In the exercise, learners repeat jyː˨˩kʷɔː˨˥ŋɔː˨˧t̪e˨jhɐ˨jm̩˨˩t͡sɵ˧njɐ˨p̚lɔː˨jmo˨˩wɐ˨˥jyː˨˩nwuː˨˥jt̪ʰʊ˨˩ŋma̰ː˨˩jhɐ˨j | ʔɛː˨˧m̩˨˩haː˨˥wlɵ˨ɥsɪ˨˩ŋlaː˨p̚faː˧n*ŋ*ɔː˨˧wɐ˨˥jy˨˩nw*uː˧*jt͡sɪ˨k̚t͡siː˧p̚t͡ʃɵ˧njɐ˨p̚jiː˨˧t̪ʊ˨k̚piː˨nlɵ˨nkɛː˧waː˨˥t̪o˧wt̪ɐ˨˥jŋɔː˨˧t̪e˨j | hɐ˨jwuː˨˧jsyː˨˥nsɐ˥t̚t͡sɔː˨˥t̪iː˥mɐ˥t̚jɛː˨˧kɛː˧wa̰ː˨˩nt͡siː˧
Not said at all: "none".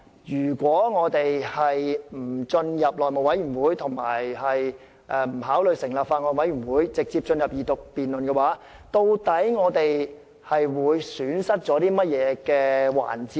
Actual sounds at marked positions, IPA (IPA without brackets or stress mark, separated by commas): ŋ, uː˨˥